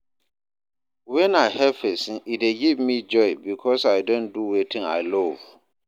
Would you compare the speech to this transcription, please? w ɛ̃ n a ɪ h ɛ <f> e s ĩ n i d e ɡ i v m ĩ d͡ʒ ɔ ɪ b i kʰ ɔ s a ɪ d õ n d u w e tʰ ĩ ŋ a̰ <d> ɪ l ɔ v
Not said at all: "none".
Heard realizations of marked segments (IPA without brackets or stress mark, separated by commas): f, none